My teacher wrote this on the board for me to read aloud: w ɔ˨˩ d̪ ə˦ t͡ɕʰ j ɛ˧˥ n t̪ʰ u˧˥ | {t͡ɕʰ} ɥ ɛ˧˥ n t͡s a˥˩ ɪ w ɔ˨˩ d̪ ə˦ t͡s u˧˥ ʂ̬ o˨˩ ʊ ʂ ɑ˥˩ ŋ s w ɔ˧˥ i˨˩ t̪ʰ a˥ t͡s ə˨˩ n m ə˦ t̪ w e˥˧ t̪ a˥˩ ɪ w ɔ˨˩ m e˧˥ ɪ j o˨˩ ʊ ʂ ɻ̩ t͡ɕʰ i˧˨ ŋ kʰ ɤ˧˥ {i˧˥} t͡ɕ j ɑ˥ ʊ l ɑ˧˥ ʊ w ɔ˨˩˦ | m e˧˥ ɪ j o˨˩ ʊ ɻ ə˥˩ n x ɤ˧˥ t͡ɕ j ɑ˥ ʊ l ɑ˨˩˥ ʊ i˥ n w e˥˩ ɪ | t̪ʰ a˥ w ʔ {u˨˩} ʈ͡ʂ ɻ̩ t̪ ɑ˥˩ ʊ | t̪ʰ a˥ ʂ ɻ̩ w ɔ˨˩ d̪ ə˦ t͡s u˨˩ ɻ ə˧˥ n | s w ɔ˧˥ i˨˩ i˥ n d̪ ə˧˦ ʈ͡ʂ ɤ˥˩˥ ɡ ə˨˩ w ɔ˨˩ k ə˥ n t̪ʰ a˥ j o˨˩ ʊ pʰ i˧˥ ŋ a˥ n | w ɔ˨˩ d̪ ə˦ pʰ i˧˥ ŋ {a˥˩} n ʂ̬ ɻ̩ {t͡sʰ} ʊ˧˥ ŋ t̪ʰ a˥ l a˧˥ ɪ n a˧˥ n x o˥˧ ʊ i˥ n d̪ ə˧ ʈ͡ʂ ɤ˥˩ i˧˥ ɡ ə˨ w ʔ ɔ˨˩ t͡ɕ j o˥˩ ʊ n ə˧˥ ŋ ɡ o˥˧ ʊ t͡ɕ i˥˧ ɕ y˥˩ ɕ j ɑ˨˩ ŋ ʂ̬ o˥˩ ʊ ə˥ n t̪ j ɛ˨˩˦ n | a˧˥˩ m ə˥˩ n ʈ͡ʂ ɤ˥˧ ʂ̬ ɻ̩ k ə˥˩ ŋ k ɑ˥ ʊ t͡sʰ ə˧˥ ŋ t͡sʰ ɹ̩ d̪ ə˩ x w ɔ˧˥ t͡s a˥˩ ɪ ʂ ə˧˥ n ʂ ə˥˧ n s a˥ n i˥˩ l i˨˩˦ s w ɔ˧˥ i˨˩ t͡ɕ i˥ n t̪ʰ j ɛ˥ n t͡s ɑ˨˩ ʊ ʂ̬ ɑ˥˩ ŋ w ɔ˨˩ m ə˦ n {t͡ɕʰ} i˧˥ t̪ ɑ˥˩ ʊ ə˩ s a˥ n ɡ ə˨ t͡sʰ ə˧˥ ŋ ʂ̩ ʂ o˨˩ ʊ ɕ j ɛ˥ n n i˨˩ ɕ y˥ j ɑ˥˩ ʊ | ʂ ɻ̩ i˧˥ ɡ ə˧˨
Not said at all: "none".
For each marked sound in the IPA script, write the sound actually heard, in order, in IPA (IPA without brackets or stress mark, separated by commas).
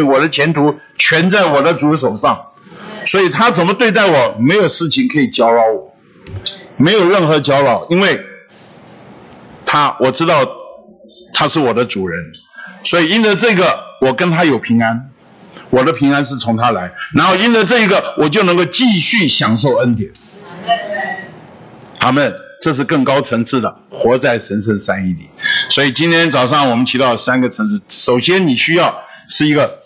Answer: t͡ɕʰ, i˨˩, ɔ˨˩, a˥, t͡sʰ, t͡ɕʰ